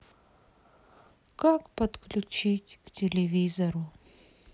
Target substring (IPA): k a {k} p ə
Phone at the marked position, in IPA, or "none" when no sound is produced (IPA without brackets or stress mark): k